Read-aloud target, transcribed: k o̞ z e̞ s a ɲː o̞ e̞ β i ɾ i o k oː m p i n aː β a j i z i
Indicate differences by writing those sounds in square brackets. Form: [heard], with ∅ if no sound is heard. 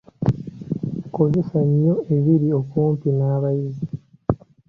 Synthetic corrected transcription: k o̞ z e̞ s a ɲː o̞ e̞ β i ɾ i o k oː m p i n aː β a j i z i